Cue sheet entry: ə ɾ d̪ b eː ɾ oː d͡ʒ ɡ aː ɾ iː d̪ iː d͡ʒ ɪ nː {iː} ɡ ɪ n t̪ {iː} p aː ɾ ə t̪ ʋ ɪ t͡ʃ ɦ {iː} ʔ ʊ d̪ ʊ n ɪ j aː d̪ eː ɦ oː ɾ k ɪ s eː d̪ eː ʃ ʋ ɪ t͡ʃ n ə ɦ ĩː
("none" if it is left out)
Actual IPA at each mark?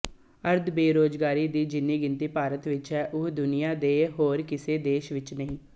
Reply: iː, iː, ɛː

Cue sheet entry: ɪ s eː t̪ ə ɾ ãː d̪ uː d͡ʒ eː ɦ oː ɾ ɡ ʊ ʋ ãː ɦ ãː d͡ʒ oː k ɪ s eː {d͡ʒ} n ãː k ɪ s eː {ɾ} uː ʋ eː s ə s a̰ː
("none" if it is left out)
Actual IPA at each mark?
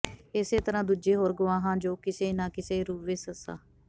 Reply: none, ɾ

